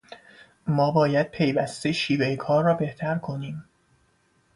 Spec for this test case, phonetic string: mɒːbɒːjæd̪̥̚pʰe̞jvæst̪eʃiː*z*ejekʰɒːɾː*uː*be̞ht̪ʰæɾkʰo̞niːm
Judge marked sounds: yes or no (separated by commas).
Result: no, no